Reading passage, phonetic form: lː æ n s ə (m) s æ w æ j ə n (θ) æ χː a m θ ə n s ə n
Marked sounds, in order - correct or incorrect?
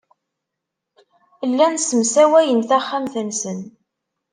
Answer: correct, correct

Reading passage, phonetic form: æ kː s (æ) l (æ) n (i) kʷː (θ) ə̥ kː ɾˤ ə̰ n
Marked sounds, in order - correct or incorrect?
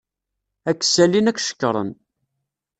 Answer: correct, incorrect: i, incorrect: æ, incorrect: ʃ

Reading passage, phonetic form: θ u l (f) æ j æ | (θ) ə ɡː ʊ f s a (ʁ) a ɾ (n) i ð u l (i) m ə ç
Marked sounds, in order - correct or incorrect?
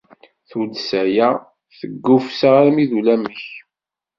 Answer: incorrect: s, correct, correct, incorrect: m, incorrect: æ

